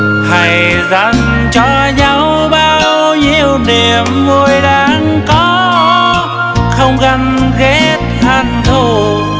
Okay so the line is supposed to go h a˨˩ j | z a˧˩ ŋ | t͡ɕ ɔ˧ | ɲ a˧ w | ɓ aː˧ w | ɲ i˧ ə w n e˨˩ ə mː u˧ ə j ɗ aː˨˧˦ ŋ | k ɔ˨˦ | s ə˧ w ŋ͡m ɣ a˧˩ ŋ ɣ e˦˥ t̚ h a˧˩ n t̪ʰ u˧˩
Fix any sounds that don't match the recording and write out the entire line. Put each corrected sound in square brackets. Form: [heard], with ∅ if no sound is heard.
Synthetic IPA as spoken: h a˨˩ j | z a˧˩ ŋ | t͡ɕ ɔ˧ | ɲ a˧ w | ɓ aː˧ w | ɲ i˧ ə w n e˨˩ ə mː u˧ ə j ɗ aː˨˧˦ ŋ | k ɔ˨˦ | [x] ə˧ w ŋ͡m ɣ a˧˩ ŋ ɣ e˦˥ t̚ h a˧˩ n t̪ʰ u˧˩